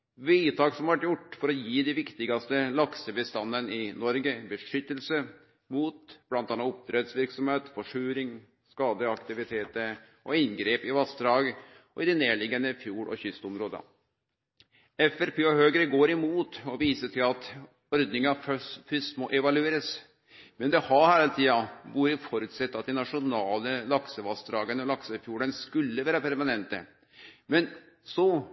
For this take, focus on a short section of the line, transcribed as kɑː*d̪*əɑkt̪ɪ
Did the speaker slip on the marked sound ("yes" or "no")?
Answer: no